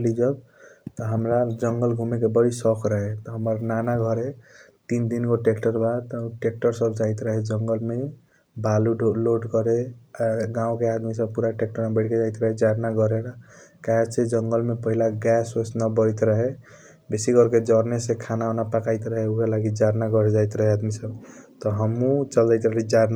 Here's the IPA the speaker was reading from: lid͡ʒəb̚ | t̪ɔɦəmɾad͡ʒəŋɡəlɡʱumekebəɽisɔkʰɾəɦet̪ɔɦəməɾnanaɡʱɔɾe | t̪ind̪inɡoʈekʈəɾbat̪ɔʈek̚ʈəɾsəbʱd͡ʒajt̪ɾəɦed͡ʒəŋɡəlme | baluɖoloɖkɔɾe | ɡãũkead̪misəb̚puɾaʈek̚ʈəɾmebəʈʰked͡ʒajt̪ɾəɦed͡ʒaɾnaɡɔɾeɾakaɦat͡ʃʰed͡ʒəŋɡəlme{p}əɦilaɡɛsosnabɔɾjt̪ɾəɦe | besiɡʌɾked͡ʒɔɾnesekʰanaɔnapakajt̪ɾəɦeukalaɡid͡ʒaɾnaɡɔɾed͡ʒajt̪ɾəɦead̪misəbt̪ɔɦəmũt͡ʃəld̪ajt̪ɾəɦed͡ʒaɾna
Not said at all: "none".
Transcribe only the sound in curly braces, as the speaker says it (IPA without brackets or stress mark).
p